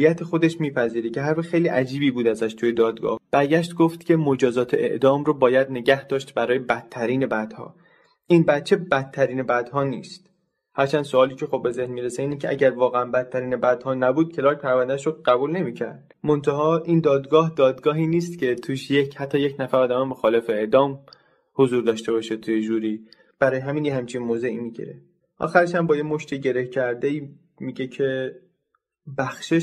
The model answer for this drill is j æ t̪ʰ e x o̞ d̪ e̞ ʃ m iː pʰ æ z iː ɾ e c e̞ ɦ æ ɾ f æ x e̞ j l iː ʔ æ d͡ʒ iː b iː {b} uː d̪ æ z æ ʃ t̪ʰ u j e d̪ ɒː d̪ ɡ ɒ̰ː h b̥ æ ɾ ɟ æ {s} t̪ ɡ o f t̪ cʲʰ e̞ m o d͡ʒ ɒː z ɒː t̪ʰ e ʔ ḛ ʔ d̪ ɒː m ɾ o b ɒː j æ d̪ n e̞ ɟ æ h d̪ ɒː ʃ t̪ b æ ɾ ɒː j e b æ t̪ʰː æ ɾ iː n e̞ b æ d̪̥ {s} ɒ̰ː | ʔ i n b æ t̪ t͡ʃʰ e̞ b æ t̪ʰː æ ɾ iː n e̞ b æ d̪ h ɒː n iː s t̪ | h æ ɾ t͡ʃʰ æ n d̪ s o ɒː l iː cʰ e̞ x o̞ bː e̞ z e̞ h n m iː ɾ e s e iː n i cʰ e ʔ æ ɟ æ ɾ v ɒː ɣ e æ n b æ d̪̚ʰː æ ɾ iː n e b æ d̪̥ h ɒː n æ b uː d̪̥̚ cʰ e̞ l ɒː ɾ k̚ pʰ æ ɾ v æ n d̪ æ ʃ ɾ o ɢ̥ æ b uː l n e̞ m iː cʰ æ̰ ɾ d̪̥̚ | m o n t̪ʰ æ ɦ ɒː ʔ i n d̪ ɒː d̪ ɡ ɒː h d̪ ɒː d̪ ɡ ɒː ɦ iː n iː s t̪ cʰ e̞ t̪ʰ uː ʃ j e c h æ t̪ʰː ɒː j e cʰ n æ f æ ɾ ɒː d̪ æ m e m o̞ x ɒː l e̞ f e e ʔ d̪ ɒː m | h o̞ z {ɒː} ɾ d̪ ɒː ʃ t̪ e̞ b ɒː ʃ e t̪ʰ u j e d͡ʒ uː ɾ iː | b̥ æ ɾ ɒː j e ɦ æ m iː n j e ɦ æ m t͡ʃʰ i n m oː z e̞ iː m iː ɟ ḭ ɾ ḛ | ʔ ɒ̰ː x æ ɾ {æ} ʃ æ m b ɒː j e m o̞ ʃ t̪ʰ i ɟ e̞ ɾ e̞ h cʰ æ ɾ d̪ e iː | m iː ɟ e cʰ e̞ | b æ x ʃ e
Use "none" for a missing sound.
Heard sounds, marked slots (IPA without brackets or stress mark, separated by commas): b, ʃ, h, uː, e